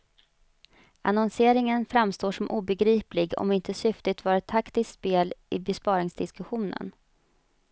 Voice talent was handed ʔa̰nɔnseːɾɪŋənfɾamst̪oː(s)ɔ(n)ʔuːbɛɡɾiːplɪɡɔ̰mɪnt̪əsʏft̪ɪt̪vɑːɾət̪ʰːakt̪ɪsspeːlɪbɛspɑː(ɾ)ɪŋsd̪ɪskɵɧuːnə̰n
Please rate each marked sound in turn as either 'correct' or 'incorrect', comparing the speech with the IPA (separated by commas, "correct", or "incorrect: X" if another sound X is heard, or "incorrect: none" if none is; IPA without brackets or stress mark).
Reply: incorrect: ʂ, incorrect: m, correct